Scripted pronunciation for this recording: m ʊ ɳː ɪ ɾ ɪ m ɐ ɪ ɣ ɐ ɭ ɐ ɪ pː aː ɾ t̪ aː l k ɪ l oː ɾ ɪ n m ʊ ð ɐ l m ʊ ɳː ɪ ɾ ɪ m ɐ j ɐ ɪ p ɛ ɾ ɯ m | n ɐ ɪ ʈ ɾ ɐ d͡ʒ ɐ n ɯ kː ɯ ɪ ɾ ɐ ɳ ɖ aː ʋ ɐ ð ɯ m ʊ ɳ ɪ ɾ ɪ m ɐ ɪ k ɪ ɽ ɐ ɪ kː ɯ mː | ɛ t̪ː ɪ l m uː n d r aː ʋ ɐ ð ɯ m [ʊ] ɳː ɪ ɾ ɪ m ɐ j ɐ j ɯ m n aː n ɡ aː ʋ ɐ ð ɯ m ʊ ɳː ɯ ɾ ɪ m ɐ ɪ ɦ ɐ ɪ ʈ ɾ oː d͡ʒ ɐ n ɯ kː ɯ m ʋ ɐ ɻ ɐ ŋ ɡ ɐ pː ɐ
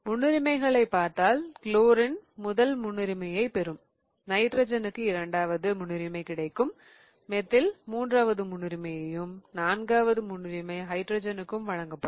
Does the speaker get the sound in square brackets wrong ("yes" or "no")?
no